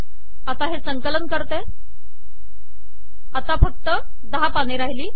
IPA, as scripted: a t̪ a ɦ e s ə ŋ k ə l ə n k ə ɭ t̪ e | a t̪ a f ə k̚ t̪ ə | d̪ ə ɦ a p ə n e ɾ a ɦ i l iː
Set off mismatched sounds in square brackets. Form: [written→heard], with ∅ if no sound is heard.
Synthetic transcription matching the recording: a t̪ a ɦ e s ə ŋ k ə l ə n k ə [ɭ→ɾ] t̪ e | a t̪ a f ə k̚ t̪ ə | d̪ ə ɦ a p [ə→a] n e ɾ a ɦ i l iː

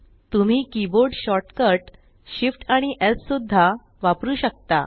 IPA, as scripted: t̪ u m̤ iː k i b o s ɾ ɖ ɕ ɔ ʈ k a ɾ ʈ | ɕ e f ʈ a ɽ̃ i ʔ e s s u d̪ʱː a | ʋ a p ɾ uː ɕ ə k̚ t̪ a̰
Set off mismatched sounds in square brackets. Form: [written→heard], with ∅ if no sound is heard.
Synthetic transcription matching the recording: t̪ u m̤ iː k i b o [s→∅] ɾ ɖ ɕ ɔ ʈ k [a→ə] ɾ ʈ | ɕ [e→i] f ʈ a ɽ̃ i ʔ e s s u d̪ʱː a | ʋ a p ɾ uː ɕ ə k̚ t̪ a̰

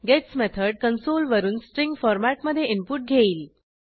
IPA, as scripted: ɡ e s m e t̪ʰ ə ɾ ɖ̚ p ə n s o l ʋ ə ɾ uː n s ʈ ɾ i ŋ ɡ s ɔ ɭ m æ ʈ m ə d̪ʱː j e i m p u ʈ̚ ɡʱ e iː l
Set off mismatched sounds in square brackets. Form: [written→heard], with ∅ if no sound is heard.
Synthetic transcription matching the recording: ɡ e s m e t̪ʰ ə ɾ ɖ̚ [p→k] ə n s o l ʋ ə ɾ uː n s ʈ ɾ i ŋ ɡ [s→f] ɔ [ɭ→ɾ] m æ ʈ m ə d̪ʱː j e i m p u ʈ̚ ɡʱ e iː l

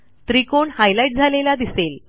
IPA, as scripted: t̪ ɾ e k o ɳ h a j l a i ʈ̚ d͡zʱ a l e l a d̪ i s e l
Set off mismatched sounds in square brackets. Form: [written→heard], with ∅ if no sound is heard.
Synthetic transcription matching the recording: t̪ ɾ [e→i] k o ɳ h a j l a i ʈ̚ d͡zʱ a l e l a d̪ i s e l

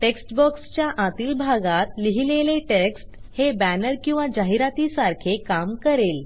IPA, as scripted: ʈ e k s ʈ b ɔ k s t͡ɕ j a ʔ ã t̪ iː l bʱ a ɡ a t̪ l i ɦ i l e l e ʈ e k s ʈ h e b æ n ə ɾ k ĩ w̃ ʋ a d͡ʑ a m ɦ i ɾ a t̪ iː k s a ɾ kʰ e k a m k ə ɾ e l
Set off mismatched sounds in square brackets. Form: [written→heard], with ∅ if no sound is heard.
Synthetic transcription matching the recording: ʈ e k s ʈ b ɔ k s t͡ɕ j a ʔ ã t̪ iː l bʱ a ɡ a t̪ l i ɦ i l e l e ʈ e k s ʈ h e b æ n ə ɾ k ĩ w̃ ʋ a d͡ʑ a [m→∅] ɦ i ɾ a t̪ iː [k→∅] s a ɾ kʰ e k a m k ə ɾ e l

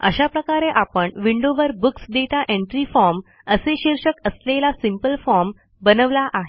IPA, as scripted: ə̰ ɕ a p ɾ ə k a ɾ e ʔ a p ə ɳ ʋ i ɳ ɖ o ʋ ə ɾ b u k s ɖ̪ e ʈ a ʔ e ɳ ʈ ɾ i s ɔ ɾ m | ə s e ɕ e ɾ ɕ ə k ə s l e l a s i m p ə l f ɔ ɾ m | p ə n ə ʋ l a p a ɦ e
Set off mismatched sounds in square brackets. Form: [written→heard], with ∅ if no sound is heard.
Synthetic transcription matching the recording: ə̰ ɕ a p ɾ ə k a ɾ e ʔ a p ə ɳ ʋ i ɳ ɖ o ʋ ə ɾ b u k s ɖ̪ e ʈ a ʔ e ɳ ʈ ɾ i [s→f] ɔ ɾ m | ə s e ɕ [e→i] ɾ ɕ ə k ə s l e l a s i m p ə l f ɔ ɾ m | [p→b] ə n ə ʋ l a [p→ʔ] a ɦ e

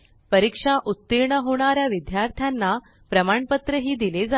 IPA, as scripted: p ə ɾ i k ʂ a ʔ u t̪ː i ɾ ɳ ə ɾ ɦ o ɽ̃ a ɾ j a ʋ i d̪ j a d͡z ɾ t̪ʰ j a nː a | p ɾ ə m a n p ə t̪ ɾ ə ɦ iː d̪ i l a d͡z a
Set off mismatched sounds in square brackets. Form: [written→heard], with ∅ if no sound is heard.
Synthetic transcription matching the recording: p ə ɾ i k ʂ a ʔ u t̪ː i ɾ ɳ ə [ɾ→∅] ɦ o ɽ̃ a ɾ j a ʋ i d̪ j a [d͡z→∅] ɾ t̪ʰ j a nː a | p ɾ ə m a [n→ɳ] p ə t̪ ɾ ə ɦ iː d̪ i l [a→e] d͡z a

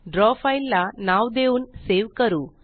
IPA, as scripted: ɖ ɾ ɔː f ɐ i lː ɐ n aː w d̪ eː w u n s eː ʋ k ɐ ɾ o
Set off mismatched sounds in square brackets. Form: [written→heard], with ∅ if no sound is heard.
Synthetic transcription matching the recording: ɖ ɾ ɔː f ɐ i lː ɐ n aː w d̪ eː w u n s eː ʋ k ɐ ɾ [o→u]

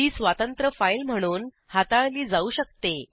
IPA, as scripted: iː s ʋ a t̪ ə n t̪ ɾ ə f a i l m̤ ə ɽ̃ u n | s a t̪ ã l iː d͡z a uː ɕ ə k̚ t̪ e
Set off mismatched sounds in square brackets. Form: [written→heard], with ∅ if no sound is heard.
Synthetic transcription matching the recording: iː s ʋ a t̪ ə n t̪ ɾ ə f a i l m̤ ə ɽ̃ [u→uː] n | [s→h] a t̪ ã l iː d͡z a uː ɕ ə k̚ t̪ e

